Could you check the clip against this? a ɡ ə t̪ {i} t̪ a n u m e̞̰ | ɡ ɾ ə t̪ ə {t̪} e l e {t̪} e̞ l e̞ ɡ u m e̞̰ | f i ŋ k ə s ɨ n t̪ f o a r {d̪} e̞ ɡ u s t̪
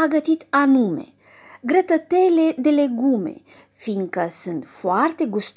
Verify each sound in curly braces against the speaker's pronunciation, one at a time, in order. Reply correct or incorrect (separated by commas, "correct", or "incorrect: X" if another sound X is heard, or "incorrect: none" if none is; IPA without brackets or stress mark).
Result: correct, correct, incorrect: d̪, incorrect: t̪